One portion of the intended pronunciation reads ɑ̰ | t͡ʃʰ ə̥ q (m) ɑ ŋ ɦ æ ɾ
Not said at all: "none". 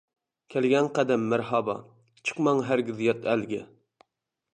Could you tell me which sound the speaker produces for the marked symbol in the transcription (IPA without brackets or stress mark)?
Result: m